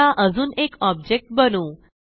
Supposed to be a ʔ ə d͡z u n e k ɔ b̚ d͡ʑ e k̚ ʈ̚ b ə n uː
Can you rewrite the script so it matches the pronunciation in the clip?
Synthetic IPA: a ʔ ə d͡z uː n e k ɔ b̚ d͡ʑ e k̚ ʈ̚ b ə n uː